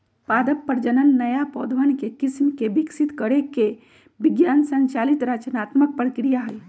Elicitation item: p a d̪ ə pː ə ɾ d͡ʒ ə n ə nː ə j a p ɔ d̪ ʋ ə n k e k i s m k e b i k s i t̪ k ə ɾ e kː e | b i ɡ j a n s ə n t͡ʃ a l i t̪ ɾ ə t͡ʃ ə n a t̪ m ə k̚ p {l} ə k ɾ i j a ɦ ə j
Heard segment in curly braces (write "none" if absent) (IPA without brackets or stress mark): ɾ